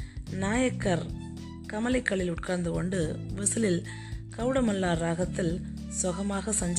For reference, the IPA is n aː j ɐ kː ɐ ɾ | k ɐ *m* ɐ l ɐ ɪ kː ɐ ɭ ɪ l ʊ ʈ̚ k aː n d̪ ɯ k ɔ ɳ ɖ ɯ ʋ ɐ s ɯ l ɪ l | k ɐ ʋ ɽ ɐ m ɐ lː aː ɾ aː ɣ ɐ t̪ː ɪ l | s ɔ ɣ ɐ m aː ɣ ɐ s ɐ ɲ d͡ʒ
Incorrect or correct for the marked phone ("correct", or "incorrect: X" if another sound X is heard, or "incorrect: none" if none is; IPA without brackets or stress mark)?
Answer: correct